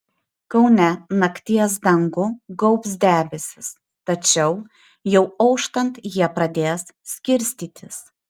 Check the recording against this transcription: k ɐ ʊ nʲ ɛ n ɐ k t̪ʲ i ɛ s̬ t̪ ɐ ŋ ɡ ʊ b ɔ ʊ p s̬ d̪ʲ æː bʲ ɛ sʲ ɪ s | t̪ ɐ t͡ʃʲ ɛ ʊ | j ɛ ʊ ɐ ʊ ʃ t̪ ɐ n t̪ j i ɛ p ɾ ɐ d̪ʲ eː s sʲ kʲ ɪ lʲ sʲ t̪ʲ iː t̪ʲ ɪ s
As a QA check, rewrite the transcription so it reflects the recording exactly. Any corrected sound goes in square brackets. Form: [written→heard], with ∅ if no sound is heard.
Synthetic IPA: k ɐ ʊ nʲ ɛ n ɐ k t̪ʲ i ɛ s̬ [t̪→d̪] ɐ ŋ ɡ ʊ [b→ɡ] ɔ ʊ p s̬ d̪ʲ æː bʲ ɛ sʲ ɪ s | t̪ ɐ t͡ʃʲ ɛ ʊ | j ɛ ʊ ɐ ʊ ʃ t̪ ɐ n t̪ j i ɛ p ɾ ɐ d̪ʲ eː s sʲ kʲ ɪ [lʲ→ɾʲ] sʲ t̪ʲ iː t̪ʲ ɪ s

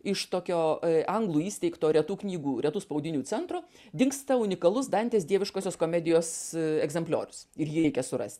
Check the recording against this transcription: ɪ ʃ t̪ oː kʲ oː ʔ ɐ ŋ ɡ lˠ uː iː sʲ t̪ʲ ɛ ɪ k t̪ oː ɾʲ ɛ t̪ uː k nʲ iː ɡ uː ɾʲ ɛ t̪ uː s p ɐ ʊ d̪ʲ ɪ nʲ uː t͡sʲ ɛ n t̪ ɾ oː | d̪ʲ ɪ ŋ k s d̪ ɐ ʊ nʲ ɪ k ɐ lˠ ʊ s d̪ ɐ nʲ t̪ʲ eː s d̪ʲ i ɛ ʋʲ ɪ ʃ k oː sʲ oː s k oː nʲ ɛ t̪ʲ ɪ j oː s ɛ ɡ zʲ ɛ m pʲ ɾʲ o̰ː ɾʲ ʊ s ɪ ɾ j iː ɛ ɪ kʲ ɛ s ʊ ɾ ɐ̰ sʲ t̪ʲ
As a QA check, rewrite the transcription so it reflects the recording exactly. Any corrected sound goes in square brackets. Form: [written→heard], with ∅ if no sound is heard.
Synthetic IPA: ɪ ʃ t̪ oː kʲ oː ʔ ɐ ŋ ɡ lˠ uː iː sʲ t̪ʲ ɛ ɪ k t̪ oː ɾʲ ɛ t̪ uː k nʲ iː ɡ uː ɾʲ ɛ t̪ uː s p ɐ ʊ d̪ʲ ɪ nʲ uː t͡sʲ ɛ n t̪ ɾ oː | d̪ʲ ɪ ŋ k s [d̪→t̪] ɐ ʊ nʲ ɪ k ɐ lˠ ʊ s d̪ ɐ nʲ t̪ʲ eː s d̪ʲ i ɛ ʋʲ ɪ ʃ k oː sʲ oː s k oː [nʲ→mʲ] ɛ [t̪ʲ→d̪ʲ] ɪ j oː s ɛ ɡ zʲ ɛ m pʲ [ɾʲ→lʲ] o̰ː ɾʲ ʊ s ɪ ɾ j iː ɛ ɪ kʲ ɛ s ʊ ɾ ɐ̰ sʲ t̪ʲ

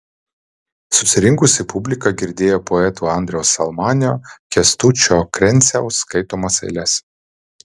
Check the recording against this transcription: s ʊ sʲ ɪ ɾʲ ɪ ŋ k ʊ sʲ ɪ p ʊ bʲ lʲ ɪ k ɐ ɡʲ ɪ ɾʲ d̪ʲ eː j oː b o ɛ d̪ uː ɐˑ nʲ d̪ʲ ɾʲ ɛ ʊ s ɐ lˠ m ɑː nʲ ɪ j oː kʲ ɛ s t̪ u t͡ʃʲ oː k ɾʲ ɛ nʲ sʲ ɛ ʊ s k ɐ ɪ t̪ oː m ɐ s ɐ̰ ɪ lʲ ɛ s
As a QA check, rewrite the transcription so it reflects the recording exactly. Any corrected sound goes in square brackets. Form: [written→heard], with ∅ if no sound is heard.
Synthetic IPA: s ʊ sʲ ɪ ɾʲ ɪ ŋ k ʊ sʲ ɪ p ʊ bʲ lʲ ɪ k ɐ ɡʲ ɪ ɾʲ d̪ʲ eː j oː [b→p] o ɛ [d̪→t̪] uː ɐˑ nʲ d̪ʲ ɾʲ ɛ ʊ s ɐ lˠ m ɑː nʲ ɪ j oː kʲ ɛ s t̪ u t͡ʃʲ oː k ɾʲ ɛ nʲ sʲ ɛ ʊ s k ɐ ɪ t̪ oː m ɐ s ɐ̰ ɪ lʲ ɛ s

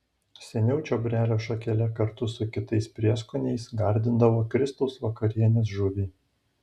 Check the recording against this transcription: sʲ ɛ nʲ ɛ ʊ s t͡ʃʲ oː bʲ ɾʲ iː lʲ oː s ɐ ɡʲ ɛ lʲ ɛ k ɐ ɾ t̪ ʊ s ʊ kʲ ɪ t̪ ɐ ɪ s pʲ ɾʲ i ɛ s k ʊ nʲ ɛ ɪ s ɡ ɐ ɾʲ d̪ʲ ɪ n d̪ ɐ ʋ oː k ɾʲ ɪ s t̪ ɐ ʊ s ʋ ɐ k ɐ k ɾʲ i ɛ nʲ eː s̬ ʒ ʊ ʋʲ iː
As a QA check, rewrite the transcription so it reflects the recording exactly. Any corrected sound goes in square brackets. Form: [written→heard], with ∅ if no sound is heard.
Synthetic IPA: sʲ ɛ nʲ ɛ ʊ [s→∅] t͡ʃʲ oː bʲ ɾʲ [iː→æː] lʲ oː [s→ʃ] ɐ [ɡʲ→kʲ] ɛ lʲ ɛ k ɐ ɾ t̪ ʊ s ʊ kʲ ɪ t̪ ɐ ɪ s pʲ ɾʲ i ɛ s k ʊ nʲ ɛ ɪ s ɡ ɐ ɾʲ d̪ʲ ɪ n d̪ ɐ ʋ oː k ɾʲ ɪ s t̪ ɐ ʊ s ʋ ɐ k ɐ [k→∅] ɾʲ i ɛ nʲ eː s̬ ʒ ʊ ʋʲ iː

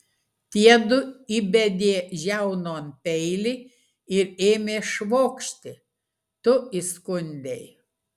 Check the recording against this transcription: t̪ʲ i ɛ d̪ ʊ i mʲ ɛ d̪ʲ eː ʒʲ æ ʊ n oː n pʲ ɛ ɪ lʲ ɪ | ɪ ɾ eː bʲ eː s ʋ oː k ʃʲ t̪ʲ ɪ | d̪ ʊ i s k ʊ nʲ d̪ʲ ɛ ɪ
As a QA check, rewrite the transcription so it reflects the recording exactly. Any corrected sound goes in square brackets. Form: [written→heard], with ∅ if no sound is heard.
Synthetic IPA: t̪ʲ i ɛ d̪ ʊ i [mʲ→bʲ] ɛ d̪ʲ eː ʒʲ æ ʊ n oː n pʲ ɛ ɪ lʲ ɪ | ɪ ɾ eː [bʲ→mʲ] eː [s→ʃ] ʋ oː k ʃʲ t̪ʲ ɪ | [d̪→t̪] ʊ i s k ʊ nʲ d̪ʲ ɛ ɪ

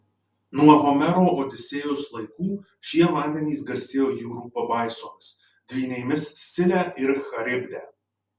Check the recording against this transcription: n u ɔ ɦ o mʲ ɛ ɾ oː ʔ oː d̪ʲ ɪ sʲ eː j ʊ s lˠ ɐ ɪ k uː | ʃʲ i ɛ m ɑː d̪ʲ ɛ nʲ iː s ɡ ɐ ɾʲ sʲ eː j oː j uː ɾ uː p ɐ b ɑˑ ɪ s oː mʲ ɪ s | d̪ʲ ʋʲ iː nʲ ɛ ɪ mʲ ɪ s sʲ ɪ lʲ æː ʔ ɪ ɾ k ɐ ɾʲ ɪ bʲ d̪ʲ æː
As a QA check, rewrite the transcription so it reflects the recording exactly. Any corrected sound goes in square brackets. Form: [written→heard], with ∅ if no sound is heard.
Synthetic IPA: n u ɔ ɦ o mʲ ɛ ɾ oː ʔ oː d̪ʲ ɪ sʲ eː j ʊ s lˠ ɐ ɪ k uː | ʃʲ i ɛ m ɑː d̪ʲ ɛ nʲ iː s ɡ ɐ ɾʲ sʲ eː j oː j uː ɾ uː p ɐ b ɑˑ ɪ s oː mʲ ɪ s | d̪ʲ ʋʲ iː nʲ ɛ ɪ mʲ ɪ s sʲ ɪ lʲ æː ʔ ɪ ɾ [k→x] ɐ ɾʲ ɪ bʲ d̪ʲ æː

